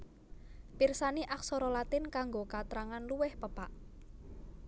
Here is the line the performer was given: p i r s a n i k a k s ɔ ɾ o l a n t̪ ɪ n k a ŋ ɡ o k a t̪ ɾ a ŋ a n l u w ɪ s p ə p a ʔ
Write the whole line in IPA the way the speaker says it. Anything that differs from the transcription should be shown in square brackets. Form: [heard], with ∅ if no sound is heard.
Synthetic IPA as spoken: p i r s a n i [ʔ] a k s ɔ ɾ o l a [∅] t̪ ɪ n k a ŋ ɡ o k a t̪ ɾ a ŋ a n l u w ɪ [h] p ə p a ʔ